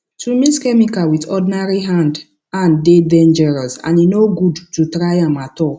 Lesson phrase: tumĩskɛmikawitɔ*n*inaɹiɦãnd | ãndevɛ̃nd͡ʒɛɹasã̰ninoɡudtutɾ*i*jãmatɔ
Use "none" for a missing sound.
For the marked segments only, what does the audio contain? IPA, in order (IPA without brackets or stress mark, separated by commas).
d, a